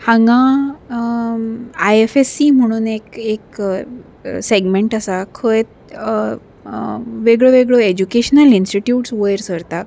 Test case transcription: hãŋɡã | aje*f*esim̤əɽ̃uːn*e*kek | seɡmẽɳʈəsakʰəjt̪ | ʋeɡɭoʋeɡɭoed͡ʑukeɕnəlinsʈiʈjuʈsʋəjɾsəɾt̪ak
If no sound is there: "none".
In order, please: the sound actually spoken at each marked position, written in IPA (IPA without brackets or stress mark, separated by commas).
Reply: f, e